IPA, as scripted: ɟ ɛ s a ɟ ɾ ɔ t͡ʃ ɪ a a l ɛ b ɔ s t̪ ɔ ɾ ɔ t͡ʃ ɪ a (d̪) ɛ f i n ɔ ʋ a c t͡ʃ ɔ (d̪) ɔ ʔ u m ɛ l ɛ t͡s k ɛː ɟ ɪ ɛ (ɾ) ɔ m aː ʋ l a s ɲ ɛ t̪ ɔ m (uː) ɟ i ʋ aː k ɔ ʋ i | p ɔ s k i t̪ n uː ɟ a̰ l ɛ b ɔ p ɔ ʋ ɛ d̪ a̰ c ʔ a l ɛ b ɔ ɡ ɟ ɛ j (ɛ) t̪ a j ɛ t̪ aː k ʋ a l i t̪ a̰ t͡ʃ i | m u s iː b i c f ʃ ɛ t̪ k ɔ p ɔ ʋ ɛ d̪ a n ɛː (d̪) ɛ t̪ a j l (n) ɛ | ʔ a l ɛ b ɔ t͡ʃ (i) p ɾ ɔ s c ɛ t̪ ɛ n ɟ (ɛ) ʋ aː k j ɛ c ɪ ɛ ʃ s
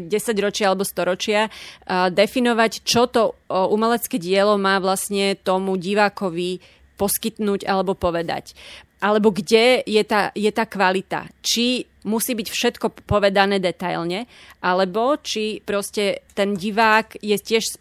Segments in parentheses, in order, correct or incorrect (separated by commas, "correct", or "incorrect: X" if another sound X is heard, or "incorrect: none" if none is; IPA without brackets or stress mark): correct, incorrect: t̪, incorrect: l, incorrect: u, correct, correct, incorrect: ɲ, correct, incorrect: i